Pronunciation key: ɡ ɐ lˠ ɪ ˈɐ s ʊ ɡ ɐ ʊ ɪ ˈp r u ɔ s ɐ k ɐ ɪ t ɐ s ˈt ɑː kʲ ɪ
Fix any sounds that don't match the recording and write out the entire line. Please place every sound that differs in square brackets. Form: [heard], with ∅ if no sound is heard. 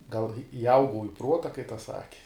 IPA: ɡ ɐ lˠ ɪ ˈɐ [∅] ʊ ɡ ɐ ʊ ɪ ˈp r u ɔ [t] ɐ k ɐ ɪ t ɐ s [ˈs] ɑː kʲ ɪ